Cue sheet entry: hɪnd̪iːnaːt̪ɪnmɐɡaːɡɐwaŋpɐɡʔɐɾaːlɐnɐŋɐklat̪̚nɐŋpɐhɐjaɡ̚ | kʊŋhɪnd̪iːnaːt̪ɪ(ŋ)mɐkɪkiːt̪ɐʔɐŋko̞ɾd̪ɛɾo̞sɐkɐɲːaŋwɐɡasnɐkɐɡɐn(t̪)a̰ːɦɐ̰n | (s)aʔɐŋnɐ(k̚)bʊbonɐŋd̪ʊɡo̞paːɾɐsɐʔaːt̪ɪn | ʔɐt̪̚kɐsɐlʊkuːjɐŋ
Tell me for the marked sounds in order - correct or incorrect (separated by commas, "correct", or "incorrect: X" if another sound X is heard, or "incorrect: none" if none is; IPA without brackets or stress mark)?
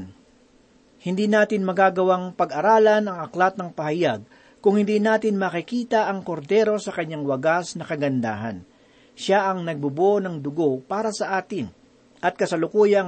incorrect: n, incorrect: d̪, incorrect: ʃ, incorrect: ɡ̚